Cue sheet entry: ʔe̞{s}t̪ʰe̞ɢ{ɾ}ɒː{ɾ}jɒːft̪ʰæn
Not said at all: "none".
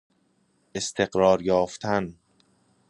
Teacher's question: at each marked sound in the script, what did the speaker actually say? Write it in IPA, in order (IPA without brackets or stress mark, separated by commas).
s, ɾ, ɾ